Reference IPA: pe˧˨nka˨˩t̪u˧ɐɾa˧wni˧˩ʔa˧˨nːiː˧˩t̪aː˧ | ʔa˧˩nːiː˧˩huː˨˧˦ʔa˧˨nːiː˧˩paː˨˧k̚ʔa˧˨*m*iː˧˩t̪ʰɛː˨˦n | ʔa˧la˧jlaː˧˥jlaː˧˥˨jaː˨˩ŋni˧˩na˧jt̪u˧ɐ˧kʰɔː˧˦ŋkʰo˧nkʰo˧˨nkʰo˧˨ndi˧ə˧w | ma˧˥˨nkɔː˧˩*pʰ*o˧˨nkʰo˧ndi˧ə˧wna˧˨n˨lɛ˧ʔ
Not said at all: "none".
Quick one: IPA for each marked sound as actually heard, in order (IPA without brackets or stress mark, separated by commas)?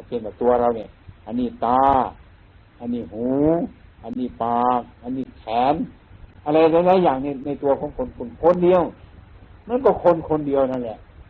n, kʰ